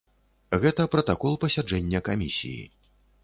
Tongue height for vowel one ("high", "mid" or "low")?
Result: mid